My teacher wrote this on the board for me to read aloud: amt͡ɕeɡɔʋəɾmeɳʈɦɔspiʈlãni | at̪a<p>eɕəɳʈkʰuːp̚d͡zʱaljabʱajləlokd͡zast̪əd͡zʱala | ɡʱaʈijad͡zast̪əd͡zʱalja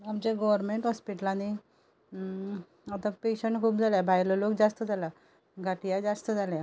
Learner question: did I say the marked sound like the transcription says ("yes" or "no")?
yes